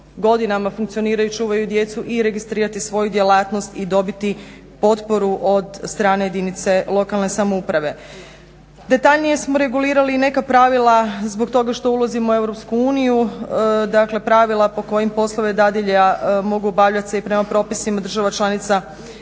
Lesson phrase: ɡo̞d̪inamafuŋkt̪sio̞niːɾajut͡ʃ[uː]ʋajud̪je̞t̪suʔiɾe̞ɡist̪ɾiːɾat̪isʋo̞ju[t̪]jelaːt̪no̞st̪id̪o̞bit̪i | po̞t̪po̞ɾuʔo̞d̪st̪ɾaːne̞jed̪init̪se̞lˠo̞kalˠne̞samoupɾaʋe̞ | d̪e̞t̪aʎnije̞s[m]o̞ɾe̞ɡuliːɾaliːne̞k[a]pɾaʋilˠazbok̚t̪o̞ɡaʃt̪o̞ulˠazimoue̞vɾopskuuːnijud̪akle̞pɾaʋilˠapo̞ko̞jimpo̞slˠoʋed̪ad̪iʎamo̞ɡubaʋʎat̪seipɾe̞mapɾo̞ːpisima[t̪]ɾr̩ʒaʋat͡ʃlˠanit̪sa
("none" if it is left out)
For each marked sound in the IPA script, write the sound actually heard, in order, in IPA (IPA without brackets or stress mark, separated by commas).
uː, d̪, m, a, d̪